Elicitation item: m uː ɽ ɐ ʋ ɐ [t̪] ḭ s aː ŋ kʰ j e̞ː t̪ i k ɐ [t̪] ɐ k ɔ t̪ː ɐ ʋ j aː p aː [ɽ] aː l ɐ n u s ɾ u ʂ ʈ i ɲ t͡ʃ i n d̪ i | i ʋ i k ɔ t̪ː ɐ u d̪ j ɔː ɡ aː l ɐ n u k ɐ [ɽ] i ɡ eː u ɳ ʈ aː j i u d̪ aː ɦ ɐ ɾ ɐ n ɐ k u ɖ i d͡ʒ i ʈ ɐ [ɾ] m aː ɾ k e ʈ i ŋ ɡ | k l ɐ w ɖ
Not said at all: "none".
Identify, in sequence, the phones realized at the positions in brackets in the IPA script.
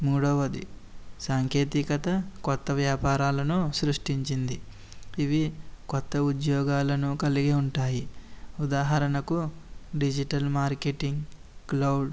d̪, t̪, ɾ, l, l

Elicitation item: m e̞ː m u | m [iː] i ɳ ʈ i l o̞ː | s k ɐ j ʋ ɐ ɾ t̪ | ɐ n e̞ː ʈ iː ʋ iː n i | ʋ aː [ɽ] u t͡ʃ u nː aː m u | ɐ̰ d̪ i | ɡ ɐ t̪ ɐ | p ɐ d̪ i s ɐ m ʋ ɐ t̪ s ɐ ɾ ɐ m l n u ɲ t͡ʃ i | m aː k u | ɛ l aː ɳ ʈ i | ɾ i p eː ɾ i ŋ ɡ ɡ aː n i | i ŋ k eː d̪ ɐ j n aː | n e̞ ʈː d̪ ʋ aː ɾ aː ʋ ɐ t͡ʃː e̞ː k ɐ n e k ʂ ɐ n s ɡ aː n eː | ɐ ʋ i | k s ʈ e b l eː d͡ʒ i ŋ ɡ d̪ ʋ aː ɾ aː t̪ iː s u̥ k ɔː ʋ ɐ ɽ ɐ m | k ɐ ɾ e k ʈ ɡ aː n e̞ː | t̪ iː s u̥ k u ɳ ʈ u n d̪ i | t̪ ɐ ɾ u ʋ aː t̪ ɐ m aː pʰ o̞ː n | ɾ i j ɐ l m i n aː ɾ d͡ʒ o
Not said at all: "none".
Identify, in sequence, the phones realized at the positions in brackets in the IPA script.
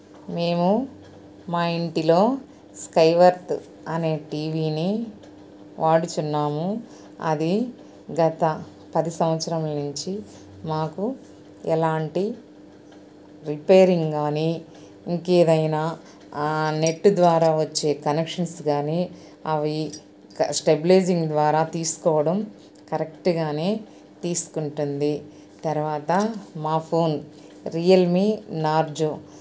aː, ɽ

